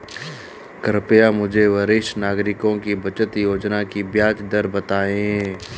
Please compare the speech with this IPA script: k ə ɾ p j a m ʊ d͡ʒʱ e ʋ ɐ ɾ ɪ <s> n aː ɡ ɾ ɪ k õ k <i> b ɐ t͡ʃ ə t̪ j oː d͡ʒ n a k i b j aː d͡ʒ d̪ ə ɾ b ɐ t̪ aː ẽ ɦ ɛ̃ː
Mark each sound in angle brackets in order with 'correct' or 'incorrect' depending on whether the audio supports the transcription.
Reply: incorrect: ʃ, correct

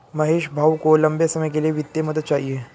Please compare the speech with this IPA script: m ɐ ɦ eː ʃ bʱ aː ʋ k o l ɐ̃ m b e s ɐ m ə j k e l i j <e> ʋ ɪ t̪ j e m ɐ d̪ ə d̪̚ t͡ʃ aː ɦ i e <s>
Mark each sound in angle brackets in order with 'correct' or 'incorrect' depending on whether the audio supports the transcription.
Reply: correct, incorrect: none

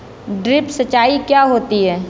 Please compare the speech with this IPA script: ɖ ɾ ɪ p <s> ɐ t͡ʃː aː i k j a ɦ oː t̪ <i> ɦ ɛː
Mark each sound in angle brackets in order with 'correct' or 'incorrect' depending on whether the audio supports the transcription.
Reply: correct, correct

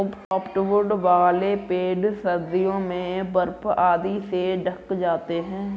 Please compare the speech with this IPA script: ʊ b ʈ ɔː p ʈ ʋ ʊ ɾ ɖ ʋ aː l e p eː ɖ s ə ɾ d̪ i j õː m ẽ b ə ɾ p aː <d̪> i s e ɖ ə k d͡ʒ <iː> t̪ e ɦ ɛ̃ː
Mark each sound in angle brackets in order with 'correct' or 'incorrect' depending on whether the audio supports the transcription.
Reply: correct, incorrect: aː

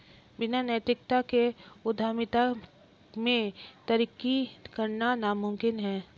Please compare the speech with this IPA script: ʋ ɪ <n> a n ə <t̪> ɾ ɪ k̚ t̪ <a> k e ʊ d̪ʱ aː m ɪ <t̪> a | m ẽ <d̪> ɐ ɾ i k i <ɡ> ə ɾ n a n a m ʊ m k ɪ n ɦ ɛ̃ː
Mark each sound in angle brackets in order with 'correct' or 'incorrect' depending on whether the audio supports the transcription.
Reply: correct, correct, correct, correct, incorrect: t̪, incorrect: k

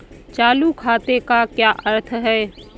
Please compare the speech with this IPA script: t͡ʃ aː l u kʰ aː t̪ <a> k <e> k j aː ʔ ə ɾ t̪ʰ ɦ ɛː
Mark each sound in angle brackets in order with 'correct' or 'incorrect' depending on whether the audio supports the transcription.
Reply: incorrect: e, incorrect: a

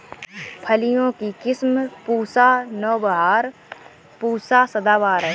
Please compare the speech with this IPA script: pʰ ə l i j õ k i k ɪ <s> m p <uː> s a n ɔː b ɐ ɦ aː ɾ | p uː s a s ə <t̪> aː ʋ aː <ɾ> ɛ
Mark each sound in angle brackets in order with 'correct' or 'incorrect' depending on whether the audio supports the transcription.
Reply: correct, correct, incorrect: d̪, correct

